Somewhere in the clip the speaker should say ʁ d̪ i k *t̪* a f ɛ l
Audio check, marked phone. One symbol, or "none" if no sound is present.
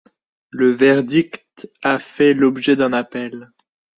t̪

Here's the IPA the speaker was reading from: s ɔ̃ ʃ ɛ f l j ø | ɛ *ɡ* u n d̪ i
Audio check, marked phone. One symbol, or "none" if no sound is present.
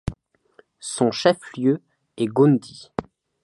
ɡ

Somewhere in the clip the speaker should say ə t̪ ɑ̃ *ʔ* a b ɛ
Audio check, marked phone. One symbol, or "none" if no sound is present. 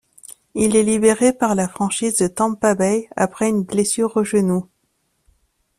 p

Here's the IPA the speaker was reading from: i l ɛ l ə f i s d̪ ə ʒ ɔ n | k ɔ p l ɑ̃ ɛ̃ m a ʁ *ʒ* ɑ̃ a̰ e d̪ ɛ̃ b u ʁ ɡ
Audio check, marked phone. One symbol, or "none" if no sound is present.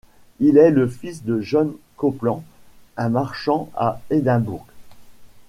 ʃ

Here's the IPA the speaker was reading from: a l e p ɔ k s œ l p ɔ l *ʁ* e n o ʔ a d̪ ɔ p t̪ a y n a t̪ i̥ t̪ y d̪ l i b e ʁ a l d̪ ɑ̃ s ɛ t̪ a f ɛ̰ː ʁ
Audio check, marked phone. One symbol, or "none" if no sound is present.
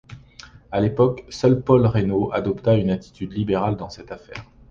ʁ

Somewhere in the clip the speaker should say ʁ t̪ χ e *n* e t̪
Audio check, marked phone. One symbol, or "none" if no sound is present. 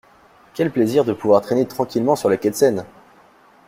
n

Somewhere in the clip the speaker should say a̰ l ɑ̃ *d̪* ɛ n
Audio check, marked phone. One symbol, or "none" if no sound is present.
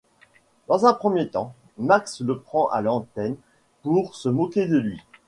t̪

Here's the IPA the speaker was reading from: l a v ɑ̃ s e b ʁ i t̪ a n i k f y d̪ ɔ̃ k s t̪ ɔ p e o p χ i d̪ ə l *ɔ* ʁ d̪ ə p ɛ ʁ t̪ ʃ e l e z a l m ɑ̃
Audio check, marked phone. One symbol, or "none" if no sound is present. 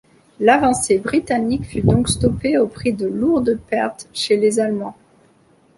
u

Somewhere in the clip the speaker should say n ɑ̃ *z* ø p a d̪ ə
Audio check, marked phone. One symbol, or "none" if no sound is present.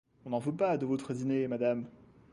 v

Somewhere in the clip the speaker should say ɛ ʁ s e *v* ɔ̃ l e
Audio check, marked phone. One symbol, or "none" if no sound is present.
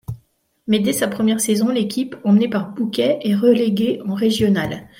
z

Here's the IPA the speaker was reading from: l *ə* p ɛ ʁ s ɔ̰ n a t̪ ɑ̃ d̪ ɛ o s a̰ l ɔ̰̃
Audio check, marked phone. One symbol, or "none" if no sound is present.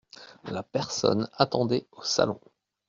a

